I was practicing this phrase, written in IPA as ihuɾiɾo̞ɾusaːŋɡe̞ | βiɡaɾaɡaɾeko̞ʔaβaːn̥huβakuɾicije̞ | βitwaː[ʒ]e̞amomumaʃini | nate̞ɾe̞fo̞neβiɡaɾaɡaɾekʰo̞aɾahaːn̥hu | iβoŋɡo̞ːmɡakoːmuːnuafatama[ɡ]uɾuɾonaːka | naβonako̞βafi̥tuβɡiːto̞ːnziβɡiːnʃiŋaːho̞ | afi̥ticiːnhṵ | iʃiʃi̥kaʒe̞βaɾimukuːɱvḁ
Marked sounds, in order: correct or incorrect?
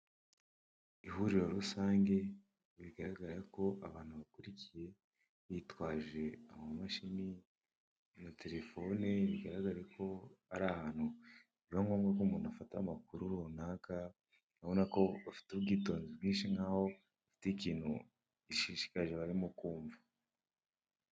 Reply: correct, incorrect: k

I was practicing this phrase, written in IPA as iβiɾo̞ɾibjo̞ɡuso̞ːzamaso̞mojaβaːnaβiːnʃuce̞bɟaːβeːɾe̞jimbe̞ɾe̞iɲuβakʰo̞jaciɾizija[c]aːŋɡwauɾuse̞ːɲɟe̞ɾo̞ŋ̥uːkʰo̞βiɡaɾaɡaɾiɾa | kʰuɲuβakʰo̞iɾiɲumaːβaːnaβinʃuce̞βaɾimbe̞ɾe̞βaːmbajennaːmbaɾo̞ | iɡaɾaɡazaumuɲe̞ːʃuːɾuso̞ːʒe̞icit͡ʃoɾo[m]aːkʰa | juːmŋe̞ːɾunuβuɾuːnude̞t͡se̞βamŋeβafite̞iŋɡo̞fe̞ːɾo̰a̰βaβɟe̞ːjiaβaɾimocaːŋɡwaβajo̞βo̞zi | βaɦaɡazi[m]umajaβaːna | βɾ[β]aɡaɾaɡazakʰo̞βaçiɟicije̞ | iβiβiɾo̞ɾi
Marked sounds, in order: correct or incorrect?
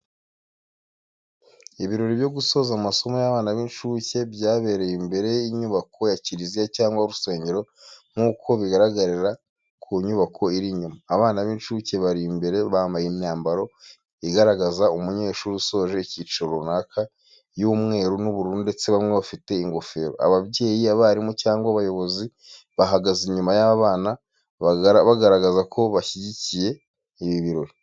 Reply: correct, incorrect: n, incorrect: ɲ, correct

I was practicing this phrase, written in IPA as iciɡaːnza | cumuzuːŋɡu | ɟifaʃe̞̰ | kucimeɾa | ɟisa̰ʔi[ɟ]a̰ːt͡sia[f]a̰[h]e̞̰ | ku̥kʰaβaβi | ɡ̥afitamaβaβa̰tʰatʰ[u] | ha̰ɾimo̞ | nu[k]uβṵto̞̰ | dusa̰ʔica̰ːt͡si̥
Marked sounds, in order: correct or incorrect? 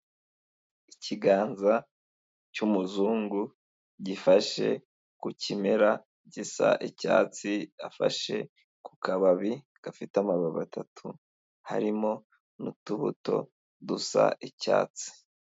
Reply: incorrect: c, correct, incorrect: ʃ, correct, incorrect: t

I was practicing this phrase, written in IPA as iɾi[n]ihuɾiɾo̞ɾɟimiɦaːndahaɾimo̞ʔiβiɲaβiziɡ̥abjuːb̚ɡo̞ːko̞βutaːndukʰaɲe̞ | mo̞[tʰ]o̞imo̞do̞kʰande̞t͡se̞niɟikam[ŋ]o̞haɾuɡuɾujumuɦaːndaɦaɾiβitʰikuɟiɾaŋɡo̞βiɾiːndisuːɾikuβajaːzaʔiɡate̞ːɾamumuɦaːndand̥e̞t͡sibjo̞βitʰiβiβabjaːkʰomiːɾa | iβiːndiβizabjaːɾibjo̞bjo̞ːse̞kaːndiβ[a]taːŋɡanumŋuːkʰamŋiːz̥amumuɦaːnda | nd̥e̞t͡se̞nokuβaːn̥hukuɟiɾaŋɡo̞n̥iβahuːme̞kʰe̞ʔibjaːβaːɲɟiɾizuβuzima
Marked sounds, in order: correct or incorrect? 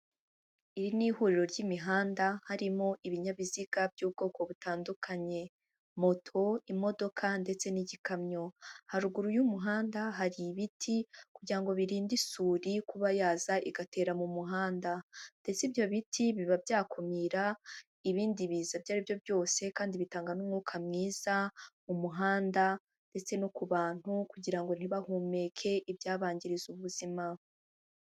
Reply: correct, correct, incorrect: ɲ, incorrect: i

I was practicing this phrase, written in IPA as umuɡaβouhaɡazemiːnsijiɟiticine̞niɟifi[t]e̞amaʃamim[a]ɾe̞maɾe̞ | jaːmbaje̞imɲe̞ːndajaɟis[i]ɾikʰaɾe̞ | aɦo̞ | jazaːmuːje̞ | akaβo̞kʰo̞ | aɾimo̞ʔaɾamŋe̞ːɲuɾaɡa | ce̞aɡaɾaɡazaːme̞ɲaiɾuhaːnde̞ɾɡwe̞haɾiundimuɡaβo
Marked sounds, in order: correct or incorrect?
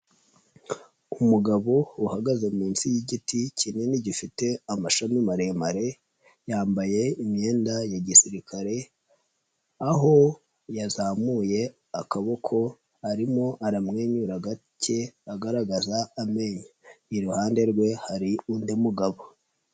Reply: correct, correct, correct

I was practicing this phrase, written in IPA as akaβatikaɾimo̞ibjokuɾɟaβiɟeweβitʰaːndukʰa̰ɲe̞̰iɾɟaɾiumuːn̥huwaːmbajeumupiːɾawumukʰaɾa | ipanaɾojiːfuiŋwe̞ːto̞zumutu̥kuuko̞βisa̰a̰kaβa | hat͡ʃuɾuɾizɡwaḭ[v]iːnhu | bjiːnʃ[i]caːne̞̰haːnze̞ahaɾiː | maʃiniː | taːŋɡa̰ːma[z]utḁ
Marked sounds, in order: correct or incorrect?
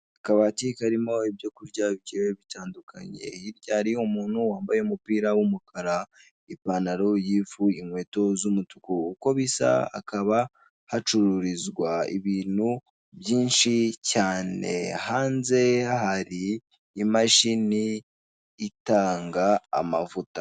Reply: incorrect: β, correct, incorrect: v

